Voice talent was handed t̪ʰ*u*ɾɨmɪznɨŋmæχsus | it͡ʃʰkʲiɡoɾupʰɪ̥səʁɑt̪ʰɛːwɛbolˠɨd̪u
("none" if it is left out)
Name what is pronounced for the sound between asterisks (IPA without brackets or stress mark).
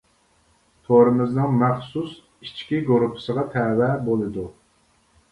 o